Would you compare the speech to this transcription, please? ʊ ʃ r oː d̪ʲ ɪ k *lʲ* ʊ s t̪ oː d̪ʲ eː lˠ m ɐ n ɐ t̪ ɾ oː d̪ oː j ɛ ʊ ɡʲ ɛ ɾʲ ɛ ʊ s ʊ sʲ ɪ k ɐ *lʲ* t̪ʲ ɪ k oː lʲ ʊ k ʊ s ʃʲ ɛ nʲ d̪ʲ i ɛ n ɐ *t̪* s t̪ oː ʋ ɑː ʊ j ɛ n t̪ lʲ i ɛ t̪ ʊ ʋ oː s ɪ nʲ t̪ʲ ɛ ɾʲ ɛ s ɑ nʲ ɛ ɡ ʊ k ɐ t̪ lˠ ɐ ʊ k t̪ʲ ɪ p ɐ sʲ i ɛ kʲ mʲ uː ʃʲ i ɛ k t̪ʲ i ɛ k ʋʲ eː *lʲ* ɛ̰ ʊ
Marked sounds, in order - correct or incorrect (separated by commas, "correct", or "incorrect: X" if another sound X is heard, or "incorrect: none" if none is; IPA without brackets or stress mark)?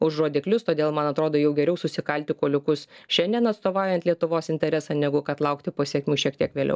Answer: correct, correct, correct, correct